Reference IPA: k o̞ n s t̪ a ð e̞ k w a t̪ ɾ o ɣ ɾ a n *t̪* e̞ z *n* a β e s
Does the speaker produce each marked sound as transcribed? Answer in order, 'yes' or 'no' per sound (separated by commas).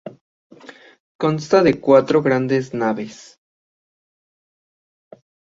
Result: no, yes